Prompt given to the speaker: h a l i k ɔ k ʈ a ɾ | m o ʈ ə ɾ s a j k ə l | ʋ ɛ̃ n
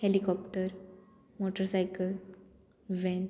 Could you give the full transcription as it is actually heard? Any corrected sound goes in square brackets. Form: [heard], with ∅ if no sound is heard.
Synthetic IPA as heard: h [e] l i k ɔ [p] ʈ [ə] ɾ | m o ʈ ə ɾ s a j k ə l | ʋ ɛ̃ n